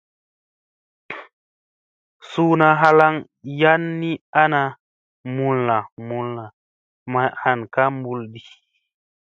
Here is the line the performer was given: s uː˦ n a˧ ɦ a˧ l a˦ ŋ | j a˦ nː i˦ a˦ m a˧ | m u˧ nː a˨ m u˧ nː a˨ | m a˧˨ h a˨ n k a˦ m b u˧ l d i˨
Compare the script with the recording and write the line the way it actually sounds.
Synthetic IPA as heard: s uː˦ n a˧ ɦ a˧ l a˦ ŋ | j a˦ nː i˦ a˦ n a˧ | m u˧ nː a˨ m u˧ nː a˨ | m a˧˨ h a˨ n k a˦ m b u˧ l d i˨